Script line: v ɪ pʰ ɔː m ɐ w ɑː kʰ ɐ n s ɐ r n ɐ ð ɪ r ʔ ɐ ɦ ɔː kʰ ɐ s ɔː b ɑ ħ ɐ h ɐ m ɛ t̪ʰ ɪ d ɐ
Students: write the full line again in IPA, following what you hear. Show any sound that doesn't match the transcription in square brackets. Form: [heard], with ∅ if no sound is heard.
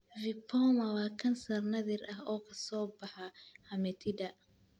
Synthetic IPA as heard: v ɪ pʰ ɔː m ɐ w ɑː kʰ ɐ n s ɐ r n ɐ ð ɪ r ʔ ɐ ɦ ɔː kʰ ɐ s ɔː b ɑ ħ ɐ h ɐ m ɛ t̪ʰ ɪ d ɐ